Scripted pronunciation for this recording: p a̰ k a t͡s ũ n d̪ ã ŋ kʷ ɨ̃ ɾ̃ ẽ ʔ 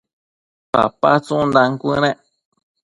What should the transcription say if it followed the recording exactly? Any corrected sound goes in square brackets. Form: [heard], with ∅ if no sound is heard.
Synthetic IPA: p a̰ [p] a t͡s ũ n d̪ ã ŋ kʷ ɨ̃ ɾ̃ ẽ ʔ